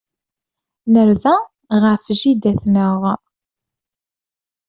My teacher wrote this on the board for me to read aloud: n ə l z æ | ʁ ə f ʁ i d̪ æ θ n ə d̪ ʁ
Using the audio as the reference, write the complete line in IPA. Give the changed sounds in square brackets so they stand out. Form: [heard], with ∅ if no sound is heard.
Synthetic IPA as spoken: n ə [ɾ] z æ | ʁ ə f [ʒ] i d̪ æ θ n ə [∅] ʁ